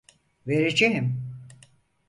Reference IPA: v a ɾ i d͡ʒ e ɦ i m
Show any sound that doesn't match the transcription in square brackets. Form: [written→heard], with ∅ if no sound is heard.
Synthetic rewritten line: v [a→e] ɾ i d͡ʒ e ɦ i m